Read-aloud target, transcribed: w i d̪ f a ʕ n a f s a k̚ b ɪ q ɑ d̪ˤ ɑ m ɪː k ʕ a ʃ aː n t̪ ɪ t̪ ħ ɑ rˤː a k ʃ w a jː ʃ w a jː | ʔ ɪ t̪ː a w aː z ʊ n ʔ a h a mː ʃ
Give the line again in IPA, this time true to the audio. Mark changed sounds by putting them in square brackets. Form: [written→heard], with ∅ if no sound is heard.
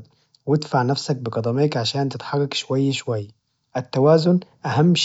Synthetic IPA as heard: w [i→ɪ] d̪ f a ʕ n a f s a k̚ b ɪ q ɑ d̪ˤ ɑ m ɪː k ʕ a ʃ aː n t̪ ɪ t̪ ħ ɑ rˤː [a→ɑ] k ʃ w a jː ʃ w a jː | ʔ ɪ t̪ː a w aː z ʊ n ʔ a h a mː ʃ